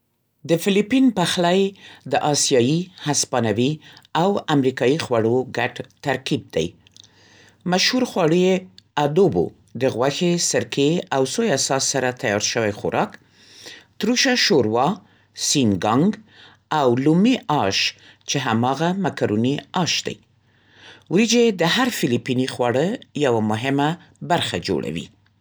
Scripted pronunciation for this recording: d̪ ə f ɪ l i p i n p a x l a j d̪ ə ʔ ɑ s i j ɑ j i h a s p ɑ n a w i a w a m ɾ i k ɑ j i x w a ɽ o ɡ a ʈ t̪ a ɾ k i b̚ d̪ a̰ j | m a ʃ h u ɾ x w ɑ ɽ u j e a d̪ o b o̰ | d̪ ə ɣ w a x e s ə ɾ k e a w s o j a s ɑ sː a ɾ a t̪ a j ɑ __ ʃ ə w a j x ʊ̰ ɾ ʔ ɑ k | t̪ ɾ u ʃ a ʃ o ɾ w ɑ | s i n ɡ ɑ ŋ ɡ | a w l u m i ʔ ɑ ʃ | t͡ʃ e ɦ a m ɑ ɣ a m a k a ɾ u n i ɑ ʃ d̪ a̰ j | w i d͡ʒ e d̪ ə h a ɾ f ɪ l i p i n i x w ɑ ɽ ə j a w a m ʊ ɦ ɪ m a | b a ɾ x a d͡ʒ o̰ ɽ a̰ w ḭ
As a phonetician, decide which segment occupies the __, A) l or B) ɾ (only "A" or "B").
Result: B